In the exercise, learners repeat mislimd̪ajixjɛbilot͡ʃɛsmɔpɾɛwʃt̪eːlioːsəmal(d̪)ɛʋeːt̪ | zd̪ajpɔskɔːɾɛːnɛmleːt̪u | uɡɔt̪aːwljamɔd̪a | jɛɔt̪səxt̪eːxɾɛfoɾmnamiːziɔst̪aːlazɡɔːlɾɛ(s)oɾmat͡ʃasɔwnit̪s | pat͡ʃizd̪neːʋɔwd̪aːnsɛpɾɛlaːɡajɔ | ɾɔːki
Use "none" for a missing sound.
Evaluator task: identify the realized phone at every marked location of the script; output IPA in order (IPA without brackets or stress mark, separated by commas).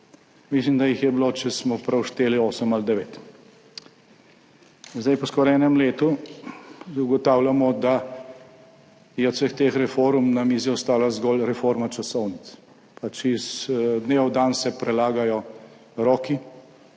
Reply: d̪, f